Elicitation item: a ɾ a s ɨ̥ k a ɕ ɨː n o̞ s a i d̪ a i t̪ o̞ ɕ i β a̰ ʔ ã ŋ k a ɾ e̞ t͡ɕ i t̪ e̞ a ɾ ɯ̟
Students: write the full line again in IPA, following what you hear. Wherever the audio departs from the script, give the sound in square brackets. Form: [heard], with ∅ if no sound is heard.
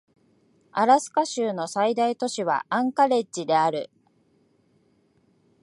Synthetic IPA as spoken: a ɾ a s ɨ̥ k a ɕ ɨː n o̞ s a i d̪ a i t̪ o̞ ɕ i β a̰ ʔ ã ŋ k a ɾ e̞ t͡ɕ i [d̪] e̞ a ɾ ɯ̟

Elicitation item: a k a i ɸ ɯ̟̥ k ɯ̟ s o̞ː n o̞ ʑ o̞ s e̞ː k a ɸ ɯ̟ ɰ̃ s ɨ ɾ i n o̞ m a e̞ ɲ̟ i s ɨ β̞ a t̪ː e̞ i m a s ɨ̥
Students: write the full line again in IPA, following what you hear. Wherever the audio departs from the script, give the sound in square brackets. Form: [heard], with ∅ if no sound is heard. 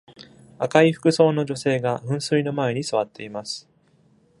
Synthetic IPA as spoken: a k a i ɸ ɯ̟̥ k ɯ̟ s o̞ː n o̞ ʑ o̞ s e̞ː [ɡ] a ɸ [ɯ̟̃] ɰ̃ s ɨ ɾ i n o̞ m a e̞ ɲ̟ i s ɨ β̞ a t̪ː e̞ i m a s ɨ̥

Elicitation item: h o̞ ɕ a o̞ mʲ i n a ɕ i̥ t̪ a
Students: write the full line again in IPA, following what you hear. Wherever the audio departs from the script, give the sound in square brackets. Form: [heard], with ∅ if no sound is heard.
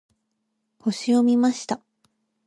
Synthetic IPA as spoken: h o̞ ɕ [i] o̞ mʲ i [m] a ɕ i̥ t̪ a

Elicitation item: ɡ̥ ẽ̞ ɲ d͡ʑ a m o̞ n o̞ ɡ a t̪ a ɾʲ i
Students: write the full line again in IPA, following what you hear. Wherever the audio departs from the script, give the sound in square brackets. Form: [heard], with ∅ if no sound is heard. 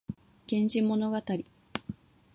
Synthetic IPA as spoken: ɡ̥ ẽ̞ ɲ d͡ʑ [i] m o̞ n o̞ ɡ a t̪ a ɾʲ i

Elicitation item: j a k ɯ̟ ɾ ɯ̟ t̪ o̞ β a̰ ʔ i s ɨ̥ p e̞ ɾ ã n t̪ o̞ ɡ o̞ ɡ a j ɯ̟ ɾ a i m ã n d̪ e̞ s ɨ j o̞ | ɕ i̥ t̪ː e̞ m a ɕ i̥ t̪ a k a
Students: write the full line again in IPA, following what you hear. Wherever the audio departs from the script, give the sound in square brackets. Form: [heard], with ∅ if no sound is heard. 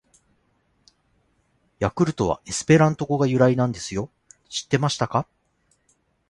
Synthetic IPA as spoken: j a k ɯ̟ ɾ ɯ̟ t̪ o̞ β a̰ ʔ [e] s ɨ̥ p e̞ ɾ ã n t̪ o̞ ɡ o̞ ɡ a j ɯ̟ ɾ a i [n] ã n d̪ e̞ s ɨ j o̞ | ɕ i̥ t̪ː e̞ m a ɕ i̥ t̪ a k a

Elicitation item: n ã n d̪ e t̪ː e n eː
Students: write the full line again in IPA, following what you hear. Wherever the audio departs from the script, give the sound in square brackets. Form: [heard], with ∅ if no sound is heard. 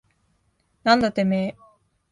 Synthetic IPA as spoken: n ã n d̪ [a] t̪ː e [m] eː

